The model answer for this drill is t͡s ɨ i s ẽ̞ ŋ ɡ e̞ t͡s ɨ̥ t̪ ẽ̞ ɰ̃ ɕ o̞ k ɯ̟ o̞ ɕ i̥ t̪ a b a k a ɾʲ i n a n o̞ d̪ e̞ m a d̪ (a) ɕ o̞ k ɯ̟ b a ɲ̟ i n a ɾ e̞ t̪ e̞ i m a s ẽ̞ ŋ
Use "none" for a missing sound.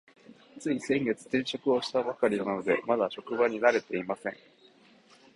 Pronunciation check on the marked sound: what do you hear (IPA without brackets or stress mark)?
a